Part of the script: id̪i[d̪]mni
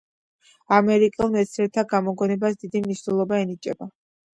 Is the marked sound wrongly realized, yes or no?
yes